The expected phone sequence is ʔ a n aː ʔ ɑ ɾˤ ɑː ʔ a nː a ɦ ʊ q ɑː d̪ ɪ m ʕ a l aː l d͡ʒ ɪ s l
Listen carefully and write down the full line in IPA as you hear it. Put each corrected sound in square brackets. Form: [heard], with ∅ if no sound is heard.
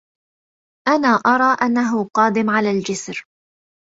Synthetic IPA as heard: ʔ a n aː ʔ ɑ ɾˤ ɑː ʔ a nː a ɦ ʊ q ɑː d̪ ɪ m ʕ a l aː l d͡ʒ ɪ s [ɾ]

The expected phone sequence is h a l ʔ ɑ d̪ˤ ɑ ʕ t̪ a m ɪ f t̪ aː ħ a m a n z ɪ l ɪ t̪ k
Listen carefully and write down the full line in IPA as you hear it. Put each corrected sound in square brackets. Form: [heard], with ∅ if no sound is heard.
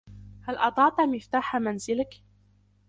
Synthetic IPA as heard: h a l ʔ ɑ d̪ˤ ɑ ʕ t̪ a m ɪ f t̪ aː ħ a m a n z ɪ l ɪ [∅] k

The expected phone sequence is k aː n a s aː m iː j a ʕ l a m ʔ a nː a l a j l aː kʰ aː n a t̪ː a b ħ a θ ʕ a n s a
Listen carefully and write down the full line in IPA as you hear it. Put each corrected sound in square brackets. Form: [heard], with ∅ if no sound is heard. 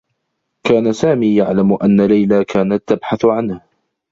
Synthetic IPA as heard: k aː n a s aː m iː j a ʕ l a m ʔ a nː a l a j l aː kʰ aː n a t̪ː a b ħ a θ ʕ a n [h] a

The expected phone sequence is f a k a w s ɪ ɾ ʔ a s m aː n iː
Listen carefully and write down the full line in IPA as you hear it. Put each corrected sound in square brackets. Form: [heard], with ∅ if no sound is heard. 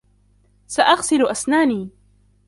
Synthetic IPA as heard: [s] a [ʔ] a [ɣ] s ɪ [l] ʔ a s [n] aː n iː

